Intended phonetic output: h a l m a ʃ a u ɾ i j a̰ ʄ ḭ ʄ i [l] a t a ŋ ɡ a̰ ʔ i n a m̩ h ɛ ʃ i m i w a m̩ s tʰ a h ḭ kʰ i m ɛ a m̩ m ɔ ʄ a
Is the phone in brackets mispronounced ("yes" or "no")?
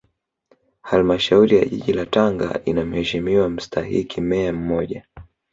no